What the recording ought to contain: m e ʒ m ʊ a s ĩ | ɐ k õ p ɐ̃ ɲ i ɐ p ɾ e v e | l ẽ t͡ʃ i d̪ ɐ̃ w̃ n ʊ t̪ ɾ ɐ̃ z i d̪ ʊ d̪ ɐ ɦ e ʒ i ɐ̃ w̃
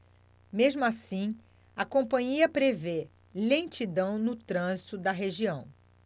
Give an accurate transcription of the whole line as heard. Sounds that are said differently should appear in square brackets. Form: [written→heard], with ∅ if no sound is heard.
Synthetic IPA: m e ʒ m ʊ a s ĩ | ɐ k õ p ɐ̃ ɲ i ɐ p ɾ e v e | l ẽ t͡ʃ i d̪ ɐ̃ w̃ n ʊ t̪ ɾ ɐ̃ z i [d̪→t̪] ʊ d̪ ɐ ɦ e ʒ i ɐ̃ w̃